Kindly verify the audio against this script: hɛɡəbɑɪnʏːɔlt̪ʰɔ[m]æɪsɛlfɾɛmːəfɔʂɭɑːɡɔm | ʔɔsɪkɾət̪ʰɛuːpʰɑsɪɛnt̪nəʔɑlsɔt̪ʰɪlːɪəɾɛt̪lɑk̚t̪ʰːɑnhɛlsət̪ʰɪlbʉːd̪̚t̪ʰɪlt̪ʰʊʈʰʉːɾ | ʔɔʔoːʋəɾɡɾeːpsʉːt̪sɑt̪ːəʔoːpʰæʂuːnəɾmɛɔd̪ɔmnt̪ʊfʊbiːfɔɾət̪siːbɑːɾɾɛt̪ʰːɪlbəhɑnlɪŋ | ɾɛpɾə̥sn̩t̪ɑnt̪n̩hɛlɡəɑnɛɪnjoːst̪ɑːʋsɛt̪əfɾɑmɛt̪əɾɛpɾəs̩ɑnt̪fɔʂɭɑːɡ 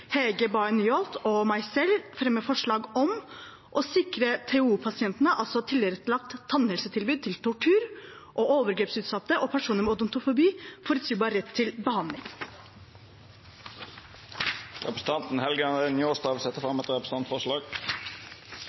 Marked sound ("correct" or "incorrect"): correct